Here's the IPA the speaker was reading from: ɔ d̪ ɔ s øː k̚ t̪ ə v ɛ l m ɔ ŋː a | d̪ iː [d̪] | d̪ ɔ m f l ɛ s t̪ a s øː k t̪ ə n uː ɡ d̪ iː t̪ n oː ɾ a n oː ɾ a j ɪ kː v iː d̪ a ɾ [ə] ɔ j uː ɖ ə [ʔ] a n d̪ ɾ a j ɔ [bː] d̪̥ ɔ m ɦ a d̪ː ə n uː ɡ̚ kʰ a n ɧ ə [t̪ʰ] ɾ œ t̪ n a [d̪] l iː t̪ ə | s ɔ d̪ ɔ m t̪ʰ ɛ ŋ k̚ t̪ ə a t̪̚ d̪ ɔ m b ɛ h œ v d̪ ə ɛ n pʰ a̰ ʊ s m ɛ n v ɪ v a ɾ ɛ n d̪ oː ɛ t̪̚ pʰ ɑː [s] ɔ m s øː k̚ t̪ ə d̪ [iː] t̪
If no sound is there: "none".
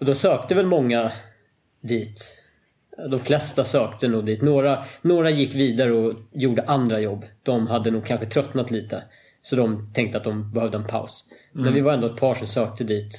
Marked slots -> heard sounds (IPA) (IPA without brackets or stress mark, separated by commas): t̪, ə, ʔ, bː, t̪ʰ, t̪, ʂ, iː